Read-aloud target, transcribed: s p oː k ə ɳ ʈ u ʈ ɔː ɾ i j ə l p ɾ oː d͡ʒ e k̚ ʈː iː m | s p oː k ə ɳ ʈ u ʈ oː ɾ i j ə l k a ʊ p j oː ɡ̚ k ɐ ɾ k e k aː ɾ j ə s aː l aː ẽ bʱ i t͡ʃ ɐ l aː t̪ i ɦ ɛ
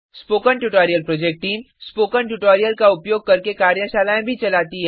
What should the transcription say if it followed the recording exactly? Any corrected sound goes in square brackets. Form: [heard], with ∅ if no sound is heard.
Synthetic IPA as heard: s p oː k ə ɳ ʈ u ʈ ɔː ɾ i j ə l p ɾ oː d͡ʒ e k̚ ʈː iː m | s p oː k ə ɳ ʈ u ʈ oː ɾ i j ə l k a ʊ p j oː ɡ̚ k ɐ ɾ k e k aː ɾ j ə [ʃ] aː l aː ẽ bʱ i t͡ʃ ɐ l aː t̪ i ɦ ɛ